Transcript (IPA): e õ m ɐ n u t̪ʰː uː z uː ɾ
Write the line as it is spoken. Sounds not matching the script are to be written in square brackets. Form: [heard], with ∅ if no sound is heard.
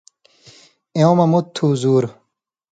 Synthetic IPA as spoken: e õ m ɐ [m] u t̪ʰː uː z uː ɾ